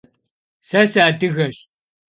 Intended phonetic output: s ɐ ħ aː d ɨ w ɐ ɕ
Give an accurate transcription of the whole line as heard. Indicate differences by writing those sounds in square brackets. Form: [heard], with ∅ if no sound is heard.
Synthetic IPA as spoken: s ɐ [s] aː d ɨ [ɣ] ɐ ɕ